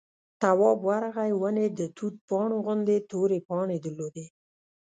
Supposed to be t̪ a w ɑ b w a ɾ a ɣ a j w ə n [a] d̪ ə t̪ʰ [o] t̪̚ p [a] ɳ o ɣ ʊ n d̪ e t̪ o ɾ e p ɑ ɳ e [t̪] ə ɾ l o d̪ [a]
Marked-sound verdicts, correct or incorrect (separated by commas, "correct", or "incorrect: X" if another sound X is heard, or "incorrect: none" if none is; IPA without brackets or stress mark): incorrect: e, incorrect: u, incorrect: ɑ, incorrect: d̪, incorrect: e